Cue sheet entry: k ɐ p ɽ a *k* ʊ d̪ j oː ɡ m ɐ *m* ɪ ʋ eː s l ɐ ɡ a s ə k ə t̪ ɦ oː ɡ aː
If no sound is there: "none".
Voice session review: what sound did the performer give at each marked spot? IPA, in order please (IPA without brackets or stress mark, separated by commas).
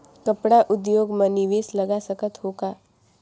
ʔ, n